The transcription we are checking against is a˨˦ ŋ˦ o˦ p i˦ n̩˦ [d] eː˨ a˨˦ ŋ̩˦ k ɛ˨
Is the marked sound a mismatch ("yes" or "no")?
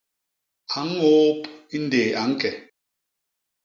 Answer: no